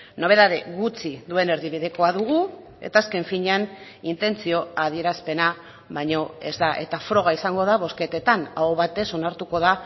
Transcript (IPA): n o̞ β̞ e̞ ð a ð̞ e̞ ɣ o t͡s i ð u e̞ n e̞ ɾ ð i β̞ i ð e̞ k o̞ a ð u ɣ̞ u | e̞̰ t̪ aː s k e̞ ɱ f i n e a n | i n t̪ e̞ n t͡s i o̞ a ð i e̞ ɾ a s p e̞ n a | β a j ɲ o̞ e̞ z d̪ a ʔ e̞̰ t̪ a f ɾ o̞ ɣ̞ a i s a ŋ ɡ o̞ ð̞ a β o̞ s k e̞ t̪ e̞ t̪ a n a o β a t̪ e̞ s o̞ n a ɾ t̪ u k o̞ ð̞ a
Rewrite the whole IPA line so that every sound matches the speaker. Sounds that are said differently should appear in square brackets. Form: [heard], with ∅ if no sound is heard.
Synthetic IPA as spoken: n o̞ β̞ e̞ ð a ð̞ e̞ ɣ [u] t͡s i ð u e̞ n e̞ ɾ ð i β̞ i ð e̞ k o̞ a ð u ɣ̞ u | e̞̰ t̪ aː s k e̞ ɱ f i [ɲ] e a n | i n t̪ e̞ n t͡s i o̞ a ð i e̞ ɾ a s p e̞ n a | β a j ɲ o̞ e̞ z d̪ a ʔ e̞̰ t̪ a f ɾ o̞ ɣ̞ a i s a ŋ ɡ o̞ ð̞ a β o̞ s k e̞ t̪ e̞ t̪ a n a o β a t̪ e̞ s o̞ n a ɾ t̪ u k o̞ ð̞ a

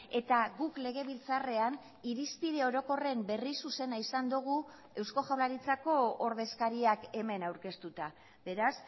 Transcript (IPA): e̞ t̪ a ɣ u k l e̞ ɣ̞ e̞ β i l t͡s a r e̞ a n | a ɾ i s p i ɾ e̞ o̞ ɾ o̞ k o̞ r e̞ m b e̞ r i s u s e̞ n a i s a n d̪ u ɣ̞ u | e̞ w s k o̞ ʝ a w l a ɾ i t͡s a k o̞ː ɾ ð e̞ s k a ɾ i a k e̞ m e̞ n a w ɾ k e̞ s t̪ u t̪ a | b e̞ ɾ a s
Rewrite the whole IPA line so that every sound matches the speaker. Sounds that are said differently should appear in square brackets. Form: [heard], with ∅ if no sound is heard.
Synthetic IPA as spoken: e̞ t̪ a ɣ u k l e̞ ɣ̞ e̞ β i l t͡s a r e̞ a n | [i] ɾ i s p i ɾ e̞ o̞ ɾ o̞ k o̞ r e̞ m b e̞ r i s u s e̞ n a i s a n d̪ u ɣ̞ u | e̞ w s k o̞ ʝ a w l a ɾ i t͡s a k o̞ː ɾ ð e̞ s k a ɾ i a k e̞ m e̞ n a w ɾ k e̞ s t̪ u t̪ a | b e̞ ɾ a s

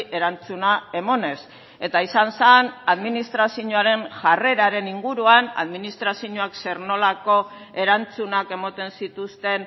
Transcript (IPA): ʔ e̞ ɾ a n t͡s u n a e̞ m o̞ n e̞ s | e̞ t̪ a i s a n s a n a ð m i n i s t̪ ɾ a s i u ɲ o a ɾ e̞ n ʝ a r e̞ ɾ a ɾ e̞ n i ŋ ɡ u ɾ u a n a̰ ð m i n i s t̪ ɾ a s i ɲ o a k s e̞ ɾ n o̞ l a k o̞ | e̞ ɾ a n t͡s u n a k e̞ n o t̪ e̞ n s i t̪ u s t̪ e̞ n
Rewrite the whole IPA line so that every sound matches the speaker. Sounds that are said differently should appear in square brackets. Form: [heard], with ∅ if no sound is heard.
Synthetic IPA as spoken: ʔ e̞ ɾ a n t͡s u n a e̞ m o̞ n e̞ s | e̞ t̪ a i s a n s a n a ð m i n i s t̪ ɾ a s i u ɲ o a ɾ e̞ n ʝ a r e̞ ɾ a ɾ e̞ n i ŋ ɡ u ɾ u a n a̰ ð m i n i s t̪ ɾ a s i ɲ o a k s e̞ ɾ n o̞ l a k o̞ | e̞ ɾ a n t͡s u n a k e̞ [m] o t̪ e̞ n s i t̪ u s t̪ e̞ n

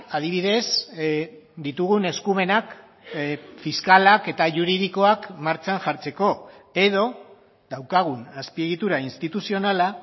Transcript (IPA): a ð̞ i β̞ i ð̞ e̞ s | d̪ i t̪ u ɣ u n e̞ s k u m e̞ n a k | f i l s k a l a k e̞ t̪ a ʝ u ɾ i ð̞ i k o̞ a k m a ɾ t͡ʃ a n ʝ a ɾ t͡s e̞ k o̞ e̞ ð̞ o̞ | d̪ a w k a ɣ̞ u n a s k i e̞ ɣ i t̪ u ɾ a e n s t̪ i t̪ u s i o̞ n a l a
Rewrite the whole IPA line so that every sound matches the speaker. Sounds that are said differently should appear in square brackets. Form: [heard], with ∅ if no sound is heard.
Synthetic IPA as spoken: a ð̞ i β̞ i ð̞ e̞ s | d̪ i t̪ u ɣ u n e̞ s k u m e̞ n a k | f i [∅] s k a l a k e̞ t̪ a ʝ u ɾ i ð̞ i k o̞ a k m a ɾ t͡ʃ a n ʝ a ɾ t͡s e̞ k o̞ e̞ ð̞ o̞ | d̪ a w k a ɣ̞ u n a s [p] i e̞ ɣ i t̪ u ɾ a [i] n s t̪ i t̪ u s i o̞ n a l a

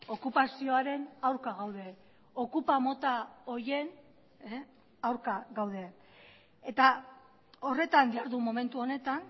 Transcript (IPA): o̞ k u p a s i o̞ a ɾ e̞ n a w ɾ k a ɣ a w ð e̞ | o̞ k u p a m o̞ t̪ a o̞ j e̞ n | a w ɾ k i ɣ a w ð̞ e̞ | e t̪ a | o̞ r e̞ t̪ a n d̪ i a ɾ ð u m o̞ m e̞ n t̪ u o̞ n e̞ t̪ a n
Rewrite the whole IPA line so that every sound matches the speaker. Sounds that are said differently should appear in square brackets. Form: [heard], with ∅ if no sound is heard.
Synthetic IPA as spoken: o̞ k u p a s i o̞ a ɾ e̞ n a w ɾ k a ɣ a w ð e̞ | o̞ k u p a m o̞ t̪ a o̞ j e̞ n | a w ɾ k [a] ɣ a w ð̞ e̞ | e t̪ a | o̞ r e̞ t̪ a n d̪ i a ɾ ð u m o̞ m e̞ n t̪ u o̞ n e̞ t̪ a n

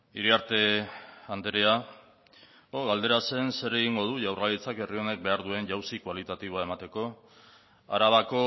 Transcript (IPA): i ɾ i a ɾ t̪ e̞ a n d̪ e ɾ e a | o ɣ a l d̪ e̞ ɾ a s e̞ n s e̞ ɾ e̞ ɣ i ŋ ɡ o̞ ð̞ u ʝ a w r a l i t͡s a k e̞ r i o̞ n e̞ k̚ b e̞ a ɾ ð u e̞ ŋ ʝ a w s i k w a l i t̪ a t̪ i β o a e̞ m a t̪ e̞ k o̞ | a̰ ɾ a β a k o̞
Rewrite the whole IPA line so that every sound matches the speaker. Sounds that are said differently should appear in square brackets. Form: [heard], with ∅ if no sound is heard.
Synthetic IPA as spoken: i ɾ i a ɾ t̪ e̞ a n d̪ e ɾ e a | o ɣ a l d̪ e̞ ɾ a s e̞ n s e̞ ɾ e̞ ɣ i ŋ ɡ o̞ ð̞ u ʝ a w r a l i t͡s a k e̞ r i o̞ n e̞ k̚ b e̞ a ɾ ð u e̞ [n] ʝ a w s i k w a l i t̪ a t̪ i β o a e̞ m a t̪ e̞ k o̞ | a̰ ɾ a β a k o̞

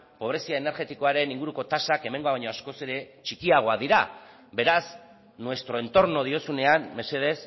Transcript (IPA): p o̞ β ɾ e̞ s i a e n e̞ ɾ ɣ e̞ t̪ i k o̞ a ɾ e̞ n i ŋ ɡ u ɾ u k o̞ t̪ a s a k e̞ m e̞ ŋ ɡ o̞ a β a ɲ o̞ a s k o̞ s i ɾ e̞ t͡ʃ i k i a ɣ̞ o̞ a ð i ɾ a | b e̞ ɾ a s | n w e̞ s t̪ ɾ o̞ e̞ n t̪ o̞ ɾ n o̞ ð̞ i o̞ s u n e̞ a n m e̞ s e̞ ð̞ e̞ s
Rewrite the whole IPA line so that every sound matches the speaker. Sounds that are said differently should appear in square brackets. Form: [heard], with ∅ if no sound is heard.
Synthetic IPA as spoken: p o̞ β ɾ e̞ s i a e n e̞ ɾ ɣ e̞ t̪ i k o̞ a ɾ e̞ n i ŋ ɡ u ɾ u k o̞ t̪ a s a k e̞ m e̞ ŋ ɡ o̞ a β a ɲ o̞ a s k o̞ s [e] ɾ e̞ t͡ʃ i k i a ɣ̞ o̞ a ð i ɾ a | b e̞ ɾ a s | n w e̞ s t̪ ɾ o̞ e̞ n t̪ o̞ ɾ n o̞ ð̞ i o̞ s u n e̞ a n m e̞ s e̞ ð̞ e̞ s

